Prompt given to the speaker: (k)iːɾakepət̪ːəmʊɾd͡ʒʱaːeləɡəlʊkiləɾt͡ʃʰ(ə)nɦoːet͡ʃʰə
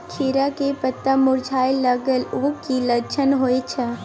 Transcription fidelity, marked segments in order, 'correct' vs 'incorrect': incorrect: kʰ, correct

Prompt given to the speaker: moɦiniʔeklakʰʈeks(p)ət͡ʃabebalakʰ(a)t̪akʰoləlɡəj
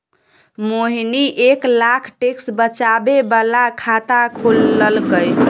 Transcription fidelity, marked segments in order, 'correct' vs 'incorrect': incorrect: b, correct

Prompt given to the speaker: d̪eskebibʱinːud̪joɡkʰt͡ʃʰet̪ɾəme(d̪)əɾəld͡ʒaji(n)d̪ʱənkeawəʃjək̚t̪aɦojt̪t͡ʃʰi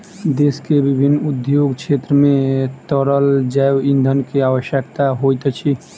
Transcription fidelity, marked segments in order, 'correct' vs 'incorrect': incorrect: t̪, correct

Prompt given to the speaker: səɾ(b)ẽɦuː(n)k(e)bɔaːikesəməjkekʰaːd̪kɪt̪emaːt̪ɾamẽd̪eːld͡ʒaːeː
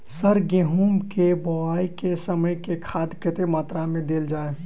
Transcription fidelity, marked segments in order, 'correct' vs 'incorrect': incorrect: ɡ, incorrect: m, correct

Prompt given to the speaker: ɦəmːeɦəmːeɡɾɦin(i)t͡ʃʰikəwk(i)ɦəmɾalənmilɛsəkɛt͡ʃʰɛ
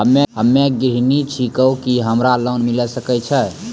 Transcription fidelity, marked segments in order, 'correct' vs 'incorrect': correct, correct

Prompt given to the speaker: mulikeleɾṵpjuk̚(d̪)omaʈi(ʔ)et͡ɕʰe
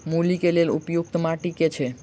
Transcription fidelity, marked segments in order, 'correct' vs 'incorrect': incorrect: t̪, incorrect: k

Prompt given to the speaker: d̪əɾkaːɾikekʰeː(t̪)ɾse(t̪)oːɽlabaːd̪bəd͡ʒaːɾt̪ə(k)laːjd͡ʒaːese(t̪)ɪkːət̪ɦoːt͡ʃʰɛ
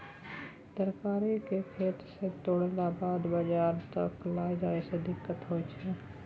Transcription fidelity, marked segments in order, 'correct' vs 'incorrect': correct, correct, correct, incorrect: d̪

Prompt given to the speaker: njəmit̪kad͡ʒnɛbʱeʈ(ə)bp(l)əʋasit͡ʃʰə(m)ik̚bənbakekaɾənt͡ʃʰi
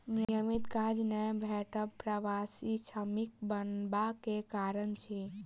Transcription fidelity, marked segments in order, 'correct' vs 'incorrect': correct, incorrect: ɾ, correct

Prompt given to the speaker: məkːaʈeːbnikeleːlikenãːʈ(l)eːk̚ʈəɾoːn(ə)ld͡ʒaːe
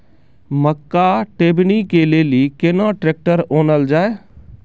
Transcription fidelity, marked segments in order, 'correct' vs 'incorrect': incorrect: ɾ, correct

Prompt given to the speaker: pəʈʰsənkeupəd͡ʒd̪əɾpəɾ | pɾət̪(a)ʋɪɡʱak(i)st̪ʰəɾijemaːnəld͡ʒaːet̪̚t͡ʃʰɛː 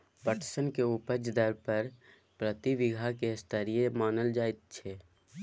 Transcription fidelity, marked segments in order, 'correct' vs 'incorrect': incorrect: i, incorrect: e

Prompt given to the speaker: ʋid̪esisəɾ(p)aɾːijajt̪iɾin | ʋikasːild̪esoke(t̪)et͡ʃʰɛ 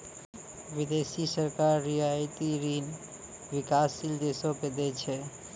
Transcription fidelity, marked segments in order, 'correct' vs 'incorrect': incorrect: k, incorrect: d̪

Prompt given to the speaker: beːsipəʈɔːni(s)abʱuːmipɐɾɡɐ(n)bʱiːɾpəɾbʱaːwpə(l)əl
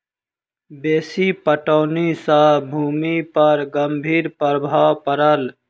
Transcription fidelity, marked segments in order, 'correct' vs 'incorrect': correct, incorrect: m, incorrect: ɾ

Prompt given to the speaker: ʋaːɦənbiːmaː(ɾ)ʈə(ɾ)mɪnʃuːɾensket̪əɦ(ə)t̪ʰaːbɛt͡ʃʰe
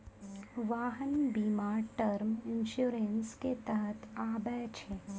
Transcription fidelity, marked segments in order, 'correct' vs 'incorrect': correct, correct, correct

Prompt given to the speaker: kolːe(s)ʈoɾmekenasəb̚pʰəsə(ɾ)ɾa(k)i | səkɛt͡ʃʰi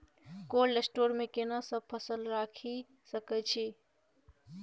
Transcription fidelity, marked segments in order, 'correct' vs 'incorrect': correct, incorrect: l, incorrect: kʰ

